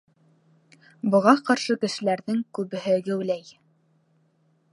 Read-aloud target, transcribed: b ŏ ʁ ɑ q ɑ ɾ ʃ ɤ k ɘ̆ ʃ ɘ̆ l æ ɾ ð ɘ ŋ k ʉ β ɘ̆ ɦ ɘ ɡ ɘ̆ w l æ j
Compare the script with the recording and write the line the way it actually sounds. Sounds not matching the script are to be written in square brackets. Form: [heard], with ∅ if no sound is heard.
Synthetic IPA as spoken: b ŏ ʁ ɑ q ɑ ɾ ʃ ɤ k ɘ̆ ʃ ɘ̆ l æ ɾ ð ɘ ŋ k ʉ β ɘ̆ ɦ ɘ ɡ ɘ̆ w l æ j